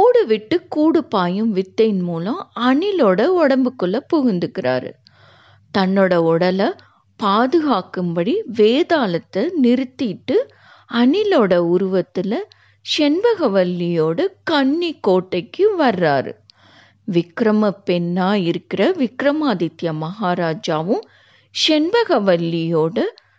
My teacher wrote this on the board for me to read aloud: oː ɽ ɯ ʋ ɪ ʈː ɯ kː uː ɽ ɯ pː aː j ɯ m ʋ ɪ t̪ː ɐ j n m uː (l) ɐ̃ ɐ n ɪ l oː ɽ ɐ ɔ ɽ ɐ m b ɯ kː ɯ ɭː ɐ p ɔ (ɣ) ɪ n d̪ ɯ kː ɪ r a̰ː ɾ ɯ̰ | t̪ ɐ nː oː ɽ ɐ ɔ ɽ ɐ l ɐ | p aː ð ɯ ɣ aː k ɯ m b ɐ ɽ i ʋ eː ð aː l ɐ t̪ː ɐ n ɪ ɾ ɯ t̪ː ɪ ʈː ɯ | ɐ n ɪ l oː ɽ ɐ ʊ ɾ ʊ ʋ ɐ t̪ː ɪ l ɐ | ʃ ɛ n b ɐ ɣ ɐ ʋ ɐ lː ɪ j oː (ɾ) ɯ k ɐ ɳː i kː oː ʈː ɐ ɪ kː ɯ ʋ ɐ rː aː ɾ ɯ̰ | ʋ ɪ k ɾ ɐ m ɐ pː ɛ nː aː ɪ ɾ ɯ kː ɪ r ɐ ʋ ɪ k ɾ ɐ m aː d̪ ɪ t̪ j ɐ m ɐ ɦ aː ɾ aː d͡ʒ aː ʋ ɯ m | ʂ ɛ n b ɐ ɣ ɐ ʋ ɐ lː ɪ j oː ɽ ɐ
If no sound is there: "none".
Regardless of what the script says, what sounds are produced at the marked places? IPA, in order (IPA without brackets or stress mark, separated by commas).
l, ɣ, ɽ